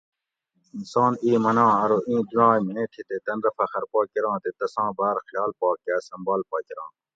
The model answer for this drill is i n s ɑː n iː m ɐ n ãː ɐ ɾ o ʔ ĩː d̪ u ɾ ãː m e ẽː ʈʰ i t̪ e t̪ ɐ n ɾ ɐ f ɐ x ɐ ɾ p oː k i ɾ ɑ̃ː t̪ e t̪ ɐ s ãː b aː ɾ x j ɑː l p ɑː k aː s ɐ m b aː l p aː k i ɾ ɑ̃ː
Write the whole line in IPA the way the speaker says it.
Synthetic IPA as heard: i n s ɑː n iː m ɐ n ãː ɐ ɾ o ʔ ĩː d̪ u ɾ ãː m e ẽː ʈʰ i t̪ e t̪ ɐ n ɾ ɐ f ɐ x ɐ ɾ p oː k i ɾ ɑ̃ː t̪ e t̪ ɐ s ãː b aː ɾ x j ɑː l p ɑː k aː s ɐ m b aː l p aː k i ɾ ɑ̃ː